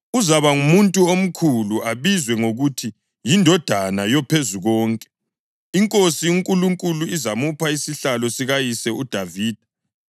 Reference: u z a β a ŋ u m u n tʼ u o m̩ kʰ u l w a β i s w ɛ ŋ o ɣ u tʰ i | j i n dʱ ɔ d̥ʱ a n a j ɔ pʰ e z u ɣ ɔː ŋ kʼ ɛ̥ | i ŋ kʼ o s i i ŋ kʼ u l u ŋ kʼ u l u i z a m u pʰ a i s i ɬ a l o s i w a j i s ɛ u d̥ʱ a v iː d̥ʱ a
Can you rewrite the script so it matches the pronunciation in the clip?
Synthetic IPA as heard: u z a β a ŋ u m u n tʼ u o m̩ kʰ u l u a β i z w ɛ ŋ o ɣ u tʰ i | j i n dʱ ɔ d̥ʱ a n a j ɔ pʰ e z u ɣ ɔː ŋ kʼ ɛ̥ | i ŋ kʼ o s i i ŋ kʼ u l u ŋ kʼ u l u i z a m u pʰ a i s i ɬ a l ɔ s i ɣ a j i s ɛ u d̥ʱ a v iː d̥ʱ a